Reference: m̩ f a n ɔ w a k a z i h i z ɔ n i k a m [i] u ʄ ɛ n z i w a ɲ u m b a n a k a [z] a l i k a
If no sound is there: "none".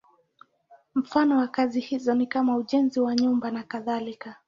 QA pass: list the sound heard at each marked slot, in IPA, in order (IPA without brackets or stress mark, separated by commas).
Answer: a, ð